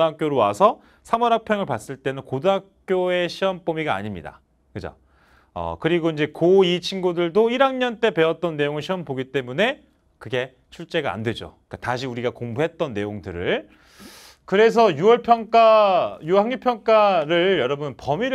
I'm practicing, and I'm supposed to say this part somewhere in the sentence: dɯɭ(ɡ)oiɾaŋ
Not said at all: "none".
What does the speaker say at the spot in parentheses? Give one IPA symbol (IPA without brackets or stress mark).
d